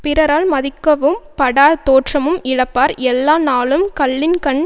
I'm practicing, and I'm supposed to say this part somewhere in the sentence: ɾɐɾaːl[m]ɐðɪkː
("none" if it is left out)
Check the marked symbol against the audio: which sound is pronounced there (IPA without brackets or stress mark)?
m